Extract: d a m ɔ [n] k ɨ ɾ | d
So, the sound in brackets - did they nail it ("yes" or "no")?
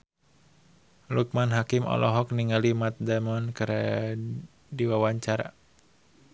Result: yes